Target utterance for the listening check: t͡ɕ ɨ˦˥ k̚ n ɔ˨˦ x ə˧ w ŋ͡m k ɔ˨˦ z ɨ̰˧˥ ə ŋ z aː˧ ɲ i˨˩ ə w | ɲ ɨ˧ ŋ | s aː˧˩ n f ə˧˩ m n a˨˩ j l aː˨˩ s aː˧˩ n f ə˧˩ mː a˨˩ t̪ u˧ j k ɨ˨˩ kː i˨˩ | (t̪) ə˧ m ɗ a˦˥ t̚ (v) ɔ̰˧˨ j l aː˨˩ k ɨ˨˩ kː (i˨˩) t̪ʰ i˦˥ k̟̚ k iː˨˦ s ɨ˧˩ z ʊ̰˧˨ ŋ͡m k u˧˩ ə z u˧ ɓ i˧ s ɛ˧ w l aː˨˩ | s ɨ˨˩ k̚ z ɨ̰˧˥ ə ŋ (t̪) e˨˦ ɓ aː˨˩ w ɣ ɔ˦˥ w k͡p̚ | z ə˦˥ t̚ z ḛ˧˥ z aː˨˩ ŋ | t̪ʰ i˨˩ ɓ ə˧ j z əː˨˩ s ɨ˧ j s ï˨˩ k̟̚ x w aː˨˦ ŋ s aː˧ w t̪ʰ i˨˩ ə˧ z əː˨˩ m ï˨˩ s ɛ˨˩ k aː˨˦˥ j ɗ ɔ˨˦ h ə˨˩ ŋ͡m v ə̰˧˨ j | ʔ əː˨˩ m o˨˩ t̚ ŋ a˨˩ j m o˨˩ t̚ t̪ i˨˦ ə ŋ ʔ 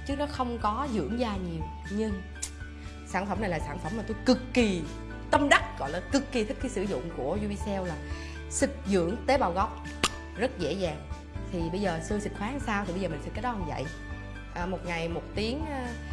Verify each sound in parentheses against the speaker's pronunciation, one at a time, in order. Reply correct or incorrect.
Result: correct, incorrect: ɣ, correct, correct

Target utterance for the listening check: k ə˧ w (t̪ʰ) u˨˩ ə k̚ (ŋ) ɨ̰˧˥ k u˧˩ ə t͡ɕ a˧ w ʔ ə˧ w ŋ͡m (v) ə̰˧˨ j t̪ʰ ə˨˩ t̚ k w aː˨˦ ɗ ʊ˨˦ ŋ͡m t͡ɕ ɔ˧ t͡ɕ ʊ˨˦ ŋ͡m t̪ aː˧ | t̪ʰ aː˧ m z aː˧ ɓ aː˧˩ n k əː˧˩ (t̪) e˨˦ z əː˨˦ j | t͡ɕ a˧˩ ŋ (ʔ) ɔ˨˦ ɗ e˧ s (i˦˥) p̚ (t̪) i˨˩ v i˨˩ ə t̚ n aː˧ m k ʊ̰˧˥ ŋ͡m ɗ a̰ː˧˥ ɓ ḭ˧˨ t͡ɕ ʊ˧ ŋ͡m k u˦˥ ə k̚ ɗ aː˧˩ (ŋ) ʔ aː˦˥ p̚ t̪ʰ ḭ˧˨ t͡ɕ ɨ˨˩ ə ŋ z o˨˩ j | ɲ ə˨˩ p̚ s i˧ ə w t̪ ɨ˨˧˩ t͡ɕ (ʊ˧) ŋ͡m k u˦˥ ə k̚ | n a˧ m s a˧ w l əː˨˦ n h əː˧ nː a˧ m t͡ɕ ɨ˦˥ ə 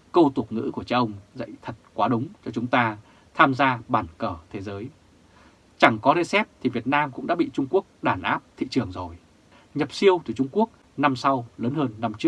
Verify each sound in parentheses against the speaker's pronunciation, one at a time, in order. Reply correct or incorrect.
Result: incorrect: t̪, correct, incorrect: z, incorrect: t̪ʰ, incorrect: k, incorrect: ɛ˦˥, incorrect: t̪ʰ, incorrect: n, correct

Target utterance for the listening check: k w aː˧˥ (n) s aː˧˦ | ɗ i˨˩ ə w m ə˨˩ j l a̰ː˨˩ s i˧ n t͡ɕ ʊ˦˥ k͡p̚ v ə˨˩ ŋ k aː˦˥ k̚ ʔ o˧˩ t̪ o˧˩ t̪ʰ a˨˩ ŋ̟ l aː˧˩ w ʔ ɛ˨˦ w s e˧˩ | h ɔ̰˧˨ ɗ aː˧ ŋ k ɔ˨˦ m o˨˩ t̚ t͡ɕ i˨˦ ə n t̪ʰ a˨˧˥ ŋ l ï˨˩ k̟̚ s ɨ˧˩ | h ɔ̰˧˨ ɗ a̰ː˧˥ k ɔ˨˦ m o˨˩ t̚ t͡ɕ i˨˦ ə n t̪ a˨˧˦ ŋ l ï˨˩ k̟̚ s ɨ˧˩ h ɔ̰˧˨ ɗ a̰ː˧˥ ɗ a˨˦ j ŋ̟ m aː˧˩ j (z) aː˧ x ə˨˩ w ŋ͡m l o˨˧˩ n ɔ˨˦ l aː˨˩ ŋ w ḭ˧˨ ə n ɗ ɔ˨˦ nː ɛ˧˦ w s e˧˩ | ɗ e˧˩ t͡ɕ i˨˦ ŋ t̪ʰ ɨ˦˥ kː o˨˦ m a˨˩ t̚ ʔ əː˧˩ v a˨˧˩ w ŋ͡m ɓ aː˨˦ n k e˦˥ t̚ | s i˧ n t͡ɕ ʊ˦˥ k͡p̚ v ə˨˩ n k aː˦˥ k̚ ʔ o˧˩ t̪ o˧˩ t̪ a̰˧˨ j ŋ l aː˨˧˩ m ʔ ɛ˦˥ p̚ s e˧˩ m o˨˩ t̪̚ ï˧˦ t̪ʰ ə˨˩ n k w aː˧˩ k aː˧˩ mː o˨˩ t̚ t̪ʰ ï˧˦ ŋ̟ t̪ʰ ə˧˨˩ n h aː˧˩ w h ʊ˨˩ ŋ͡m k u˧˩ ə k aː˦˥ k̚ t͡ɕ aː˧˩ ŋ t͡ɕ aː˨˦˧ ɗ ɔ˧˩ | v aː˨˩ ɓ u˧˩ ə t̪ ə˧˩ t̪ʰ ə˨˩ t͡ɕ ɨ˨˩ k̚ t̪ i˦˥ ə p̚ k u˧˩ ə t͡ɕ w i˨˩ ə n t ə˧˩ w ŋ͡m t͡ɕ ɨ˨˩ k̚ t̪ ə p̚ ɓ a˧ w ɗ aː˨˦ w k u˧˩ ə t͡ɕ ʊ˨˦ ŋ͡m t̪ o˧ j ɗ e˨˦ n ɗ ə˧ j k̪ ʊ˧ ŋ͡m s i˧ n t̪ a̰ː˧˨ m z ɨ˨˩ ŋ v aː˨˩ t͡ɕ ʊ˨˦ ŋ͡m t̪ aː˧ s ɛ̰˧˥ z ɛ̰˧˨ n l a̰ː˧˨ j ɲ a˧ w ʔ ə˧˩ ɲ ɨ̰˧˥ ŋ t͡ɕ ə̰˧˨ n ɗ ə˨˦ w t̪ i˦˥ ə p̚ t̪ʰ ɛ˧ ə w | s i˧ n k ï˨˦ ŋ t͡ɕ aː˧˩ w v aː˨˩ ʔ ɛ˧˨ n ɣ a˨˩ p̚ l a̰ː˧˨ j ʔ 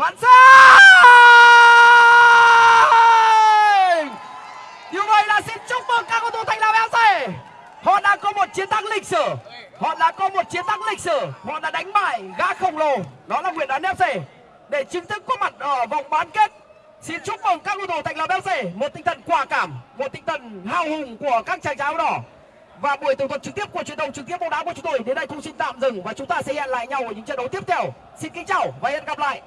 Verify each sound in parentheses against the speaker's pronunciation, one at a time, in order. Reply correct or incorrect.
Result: correct, incorrect: ɣ

